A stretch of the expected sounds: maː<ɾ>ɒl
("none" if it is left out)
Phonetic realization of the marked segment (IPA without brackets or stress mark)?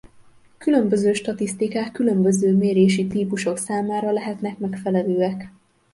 ɾ